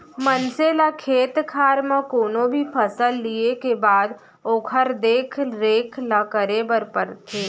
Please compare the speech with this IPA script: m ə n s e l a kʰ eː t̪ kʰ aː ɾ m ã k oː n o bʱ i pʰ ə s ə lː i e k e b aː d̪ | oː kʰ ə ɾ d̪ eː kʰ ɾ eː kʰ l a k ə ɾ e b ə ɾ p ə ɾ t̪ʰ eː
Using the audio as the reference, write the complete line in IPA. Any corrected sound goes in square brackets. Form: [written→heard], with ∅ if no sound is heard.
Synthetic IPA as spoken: m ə n s e l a kʰ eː t̪ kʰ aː ɾ m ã k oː n o bʱ i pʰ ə s ə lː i e k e b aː d̪ | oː kʰ ə ɾ d̪ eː kʰ ɾ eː kʰ l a k ə ɾ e b ə ɾ p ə ɾ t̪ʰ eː